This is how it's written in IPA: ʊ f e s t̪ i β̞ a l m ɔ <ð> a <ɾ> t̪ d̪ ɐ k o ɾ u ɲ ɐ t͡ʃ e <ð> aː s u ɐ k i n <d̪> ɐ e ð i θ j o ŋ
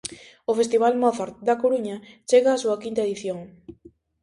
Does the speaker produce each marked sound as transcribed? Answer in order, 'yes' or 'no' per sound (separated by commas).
no, yes, no, no